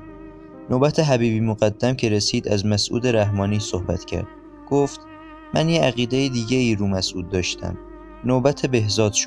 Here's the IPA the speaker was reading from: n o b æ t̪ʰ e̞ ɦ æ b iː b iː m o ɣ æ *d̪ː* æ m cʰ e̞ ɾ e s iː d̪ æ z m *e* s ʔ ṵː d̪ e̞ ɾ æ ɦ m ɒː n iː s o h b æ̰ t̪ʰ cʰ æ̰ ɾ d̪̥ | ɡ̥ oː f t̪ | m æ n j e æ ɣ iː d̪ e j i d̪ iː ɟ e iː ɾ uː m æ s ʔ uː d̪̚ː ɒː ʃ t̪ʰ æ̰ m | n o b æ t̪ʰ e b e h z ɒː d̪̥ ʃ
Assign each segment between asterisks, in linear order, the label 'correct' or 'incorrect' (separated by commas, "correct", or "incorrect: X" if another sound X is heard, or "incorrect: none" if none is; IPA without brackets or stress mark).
correct, incorrect: æ